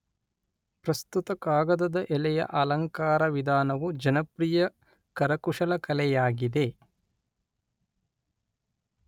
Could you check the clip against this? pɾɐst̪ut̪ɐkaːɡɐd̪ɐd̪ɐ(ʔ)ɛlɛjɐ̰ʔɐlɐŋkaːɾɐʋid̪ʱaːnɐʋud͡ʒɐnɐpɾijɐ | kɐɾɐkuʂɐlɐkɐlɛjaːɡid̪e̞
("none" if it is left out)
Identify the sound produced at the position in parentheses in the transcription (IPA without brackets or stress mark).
ʔ